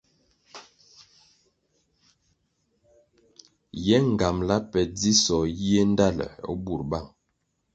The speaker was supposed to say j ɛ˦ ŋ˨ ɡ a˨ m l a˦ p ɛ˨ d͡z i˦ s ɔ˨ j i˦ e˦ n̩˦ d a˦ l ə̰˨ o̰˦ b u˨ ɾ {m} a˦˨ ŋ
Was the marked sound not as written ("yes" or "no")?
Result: yes